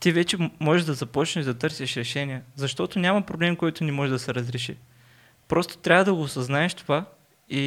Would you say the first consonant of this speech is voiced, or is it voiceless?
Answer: voiceless